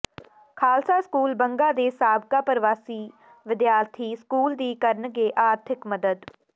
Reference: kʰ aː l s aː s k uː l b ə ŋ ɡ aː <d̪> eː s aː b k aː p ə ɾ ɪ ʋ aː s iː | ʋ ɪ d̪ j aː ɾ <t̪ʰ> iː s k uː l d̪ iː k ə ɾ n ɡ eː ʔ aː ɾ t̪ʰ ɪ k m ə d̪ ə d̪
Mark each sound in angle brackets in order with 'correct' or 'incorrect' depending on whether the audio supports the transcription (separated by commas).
correct, correct